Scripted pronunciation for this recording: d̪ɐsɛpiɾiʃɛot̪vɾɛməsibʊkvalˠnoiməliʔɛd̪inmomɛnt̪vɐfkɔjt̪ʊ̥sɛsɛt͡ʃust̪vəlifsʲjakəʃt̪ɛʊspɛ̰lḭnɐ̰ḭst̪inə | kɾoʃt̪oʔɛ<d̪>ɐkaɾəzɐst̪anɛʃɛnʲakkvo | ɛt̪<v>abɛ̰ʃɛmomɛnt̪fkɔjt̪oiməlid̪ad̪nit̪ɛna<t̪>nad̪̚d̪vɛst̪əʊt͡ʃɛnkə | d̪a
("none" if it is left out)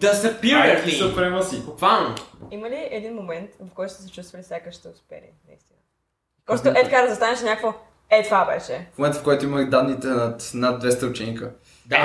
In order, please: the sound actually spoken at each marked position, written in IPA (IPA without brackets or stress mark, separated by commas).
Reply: t̪, v, t̪